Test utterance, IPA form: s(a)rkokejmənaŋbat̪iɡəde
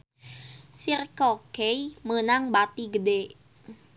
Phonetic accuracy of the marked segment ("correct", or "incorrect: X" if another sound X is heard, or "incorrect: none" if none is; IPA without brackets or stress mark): incorrect: i